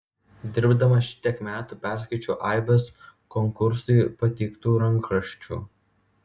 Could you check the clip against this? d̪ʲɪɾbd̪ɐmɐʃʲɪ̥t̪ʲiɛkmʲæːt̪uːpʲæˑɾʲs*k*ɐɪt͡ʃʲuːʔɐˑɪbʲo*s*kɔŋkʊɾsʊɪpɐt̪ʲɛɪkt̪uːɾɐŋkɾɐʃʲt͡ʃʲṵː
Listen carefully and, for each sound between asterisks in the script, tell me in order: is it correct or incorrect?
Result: correct, correct

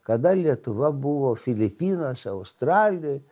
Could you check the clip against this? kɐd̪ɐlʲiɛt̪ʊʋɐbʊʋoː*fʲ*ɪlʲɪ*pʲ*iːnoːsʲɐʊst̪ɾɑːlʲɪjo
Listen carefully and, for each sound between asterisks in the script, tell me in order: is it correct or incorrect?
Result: correct, correct

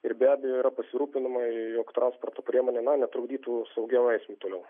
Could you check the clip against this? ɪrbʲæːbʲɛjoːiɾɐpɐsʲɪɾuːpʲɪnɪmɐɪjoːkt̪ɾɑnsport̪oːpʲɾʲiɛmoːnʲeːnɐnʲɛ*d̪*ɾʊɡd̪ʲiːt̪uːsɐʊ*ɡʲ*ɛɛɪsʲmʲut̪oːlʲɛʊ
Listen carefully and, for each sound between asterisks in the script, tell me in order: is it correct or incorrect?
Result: incorrect: t̪, correct

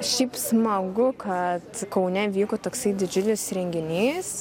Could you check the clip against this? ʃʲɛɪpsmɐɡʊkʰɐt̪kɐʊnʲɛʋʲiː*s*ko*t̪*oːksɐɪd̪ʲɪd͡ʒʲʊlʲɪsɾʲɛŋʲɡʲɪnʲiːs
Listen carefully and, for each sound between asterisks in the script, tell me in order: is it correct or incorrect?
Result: incorrect: none, correct

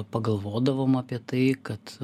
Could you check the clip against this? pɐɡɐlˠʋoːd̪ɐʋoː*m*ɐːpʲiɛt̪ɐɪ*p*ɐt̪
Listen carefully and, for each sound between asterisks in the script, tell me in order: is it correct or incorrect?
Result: correct, incorrect: k

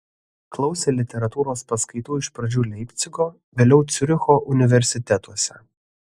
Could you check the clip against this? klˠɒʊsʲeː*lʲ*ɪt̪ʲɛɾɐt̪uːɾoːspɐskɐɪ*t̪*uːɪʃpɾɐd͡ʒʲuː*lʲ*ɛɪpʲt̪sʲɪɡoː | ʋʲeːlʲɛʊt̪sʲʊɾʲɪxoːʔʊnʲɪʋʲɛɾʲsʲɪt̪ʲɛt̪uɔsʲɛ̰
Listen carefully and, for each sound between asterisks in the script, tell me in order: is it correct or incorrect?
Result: correct, correct, correct

